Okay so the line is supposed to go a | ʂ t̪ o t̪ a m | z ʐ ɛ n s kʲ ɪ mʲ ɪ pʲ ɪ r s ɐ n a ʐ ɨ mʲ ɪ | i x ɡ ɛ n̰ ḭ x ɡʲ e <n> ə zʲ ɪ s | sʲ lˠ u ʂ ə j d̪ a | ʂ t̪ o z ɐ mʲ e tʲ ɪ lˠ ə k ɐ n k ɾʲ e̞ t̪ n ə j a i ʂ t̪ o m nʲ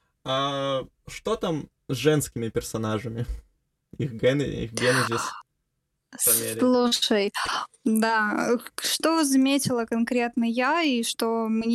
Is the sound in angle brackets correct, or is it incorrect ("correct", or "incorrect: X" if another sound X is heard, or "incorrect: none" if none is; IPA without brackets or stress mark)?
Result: correct